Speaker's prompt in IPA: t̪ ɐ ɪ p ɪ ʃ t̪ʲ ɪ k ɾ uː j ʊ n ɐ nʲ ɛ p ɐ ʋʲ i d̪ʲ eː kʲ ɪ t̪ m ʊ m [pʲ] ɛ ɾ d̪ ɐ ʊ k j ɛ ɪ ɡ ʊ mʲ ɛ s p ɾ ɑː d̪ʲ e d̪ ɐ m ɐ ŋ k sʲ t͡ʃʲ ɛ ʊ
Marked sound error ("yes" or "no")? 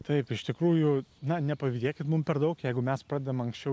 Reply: no